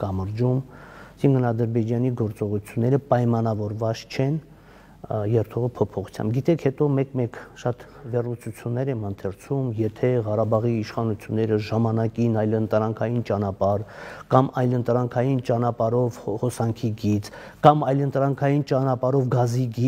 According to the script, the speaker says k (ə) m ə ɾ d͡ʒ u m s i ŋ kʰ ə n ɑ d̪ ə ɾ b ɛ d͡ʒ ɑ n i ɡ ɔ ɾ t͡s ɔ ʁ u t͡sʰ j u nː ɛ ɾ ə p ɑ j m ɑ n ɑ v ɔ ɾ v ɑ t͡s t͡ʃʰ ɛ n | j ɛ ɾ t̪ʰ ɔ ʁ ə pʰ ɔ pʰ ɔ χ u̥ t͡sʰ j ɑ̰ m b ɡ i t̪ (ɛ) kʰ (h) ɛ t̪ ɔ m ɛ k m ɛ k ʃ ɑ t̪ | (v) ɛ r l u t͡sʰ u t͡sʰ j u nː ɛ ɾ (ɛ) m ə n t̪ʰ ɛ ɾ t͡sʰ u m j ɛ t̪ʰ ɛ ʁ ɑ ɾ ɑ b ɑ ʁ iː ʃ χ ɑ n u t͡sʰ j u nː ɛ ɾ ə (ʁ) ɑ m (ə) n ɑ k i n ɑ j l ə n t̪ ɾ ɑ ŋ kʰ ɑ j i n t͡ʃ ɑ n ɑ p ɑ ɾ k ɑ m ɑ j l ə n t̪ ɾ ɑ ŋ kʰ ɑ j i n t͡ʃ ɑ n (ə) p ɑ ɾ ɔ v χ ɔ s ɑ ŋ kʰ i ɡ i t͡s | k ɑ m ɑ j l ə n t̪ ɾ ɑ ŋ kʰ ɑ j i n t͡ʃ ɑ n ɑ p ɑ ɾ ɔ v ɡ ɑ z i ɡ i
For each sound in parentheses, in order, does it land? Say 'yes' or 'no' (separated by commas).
no, yes, yes, yes, yes, no, no, no